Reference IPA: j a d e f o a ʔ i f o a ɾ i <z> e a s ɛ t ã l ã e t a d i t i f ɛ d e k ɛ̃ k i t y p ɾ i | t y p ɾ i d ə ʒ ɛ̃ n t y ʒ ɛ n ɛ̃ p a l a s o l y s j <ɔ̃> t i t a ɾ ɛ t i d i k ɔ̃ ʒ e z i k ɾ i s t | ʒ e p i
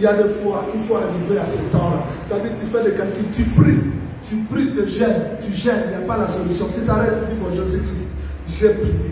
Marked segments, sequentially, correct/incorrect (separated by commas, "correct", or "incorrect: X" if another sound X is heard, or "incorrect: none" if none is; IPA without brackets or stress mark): incorrect: v, correct